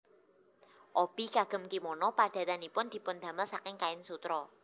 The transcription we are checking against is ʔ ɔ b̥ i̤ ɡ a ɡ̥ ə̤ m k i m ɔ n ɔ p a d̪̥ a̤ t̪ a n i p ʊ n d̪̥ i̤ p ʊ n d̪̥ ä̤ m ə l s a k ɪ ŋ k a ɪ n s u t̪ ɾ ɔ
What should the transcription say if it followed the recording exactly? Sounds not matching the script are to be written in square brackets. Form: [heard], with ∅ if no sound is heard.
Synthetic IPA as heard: ʔ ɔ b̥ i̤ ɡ a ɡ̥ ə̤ m k i m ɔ n ɔ p a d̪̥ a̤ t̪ a n i p ʊ n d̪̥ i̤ p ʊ n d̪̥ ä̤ m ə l s a k ɪ ŋ k a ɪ n s u t̪ ɾ ɔ